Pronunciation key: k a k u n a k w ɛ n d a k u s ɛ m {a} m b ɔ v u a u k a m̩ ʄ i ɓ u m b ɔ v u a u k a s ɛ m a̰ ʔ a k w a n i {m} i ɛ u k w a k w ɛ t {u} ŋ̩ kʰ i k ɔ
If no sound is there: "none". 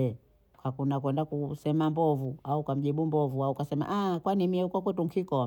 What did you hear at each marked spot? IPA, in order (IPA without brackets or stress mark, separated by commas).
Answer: a, m, u